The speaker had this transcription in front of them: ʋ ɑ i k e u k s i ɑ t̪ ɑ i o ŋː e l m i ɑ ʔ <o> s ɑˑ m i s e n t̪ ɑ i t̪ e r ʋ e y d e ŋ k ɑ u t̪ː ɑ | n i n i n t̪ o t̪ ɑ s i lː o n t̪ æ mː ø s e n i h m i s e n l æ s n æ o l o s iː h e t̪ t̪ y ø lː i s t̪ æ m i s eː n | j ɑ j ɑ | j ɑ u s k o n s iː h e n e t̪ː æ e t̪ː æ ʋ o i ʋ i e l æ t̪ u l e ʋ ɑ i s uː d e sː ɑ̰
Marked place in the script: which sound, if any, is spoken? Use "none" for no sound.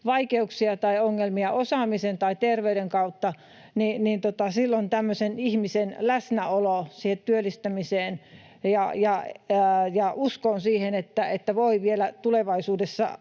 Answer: o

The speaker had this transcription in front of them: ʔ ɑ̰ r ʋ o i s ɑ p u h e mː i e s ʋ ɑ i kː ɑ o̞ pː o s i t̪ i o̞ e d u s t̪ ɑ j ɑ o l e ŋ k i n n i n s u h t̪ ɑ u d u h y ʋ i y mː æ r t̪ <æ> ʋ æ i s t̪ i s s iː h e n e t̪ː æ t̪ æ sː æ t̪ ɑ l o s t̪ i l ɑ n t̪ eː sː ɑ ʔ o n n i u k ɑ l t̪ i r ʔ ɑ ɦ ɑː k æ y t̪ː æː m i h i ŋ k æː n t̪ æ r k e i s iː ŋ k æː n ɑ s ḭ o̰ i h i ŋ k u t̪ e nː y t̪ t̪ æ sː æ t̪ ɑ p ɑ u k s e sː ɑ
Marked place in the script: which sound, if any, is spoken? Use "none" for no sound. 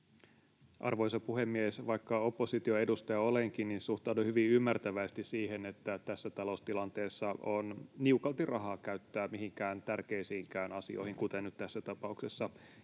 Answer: æ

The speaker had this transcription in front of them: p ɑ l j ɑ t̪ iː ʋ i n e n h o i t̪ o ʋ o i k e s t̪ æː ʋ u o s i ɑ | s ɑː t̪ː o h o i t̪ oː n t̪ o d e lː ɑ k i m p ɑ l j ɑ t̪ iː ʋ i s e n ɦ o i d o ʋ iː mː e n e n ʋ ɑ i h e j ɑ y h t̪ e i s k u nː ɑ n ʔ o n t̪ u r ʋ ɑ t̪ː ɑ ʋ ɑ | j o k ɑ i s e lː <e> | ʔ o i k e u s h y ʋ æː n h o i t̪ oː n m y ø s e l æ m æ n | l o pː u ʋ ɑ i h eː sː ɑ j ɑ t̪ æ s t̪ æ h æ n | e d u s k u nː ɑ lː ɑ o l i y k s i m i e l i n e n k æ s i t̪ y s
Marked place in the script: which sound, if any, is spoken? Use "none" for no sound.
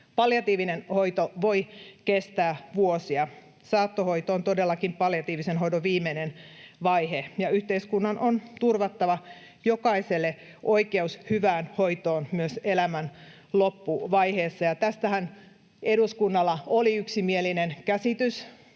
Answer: e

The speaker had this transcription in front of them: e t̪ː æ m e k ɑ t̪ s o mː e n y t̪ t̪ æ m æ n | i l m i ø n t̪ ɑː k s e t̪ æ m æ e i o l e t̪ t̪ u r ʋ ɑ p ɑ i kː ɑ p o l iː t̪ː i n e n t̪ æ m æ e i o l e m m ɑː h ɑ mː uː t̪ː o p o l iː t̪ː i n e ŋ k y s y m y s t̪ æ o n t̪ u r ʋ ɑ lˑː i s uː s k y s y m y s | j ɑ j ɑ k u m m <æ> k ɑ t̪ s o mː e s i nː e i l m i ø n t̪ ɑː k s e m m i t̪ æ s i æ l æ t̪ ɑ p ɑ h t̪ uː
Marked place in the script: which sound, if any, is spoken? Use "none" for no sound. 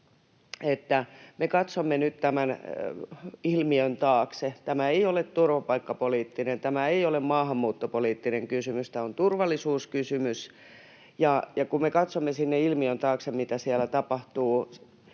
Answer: e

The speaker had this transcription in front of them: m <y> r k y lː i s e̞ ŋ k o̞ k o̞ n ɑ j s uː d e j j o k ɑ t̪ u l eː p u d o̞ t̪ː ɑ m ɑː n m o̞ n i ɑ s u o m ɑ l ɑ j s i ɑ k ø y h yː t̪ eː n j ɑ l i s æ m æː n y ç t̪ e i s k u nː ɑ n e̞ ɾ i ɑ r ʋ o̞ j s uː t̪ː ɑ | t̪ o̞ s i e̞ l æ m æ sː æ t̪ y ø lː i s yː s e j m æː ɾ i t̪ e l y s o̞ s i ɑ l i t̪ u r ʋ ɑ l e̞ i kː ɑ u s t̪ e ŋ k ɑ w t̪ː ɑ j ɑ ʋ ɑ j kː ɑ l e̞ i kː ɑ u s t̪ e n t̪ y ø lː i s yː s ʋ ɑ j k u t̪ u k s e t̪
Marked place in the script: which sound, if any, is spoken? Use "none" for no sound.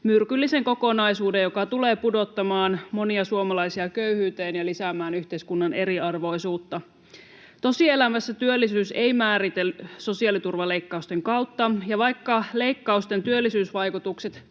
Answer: y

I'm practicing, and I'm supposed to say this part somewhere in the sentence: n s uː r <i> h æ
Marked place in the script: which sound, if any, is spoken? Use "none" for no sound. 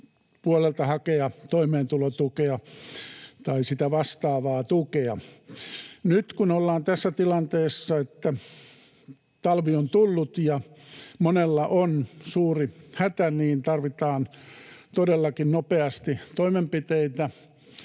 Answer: i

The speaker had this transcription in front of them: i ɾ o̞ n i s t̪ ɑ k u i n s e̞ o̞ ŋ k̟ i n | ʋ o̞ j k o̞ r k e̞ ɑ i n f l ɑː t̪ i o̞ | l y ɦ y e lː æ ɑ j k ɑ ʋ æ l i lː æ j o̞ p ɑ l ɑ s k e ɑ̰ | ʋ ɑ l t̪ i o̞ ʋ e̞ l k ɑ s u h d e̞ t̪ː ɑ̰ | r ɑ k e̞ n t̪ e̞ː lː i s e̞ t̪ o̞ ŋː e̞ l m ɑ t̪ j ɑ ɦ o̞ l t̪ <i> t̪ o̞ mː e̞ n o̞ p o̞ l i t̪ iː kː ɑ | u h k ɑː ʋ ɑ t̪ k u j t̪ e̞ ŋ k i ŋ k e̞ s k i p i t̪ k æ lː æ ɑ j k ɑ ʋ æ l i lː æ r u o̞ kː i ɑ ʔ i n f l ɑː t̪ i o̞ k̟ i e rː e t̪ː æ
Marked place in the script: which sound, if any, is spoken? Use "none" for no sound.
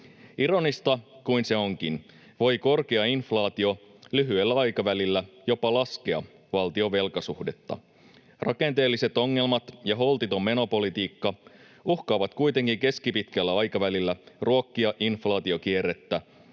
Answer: i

